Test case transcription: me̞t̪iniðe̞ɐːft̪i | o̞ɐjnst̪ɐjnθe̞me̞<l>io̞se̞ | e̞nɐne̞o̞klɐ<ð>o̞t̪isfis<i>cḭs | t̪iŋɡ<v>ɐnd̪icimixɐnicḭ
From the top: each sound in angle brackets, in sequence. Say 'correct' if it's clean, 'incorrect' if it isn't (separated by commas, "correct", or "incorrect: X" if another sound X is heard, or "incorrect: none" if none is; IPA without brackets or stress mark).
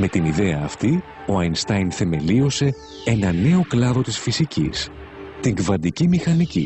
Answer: correct, correct, correct, correct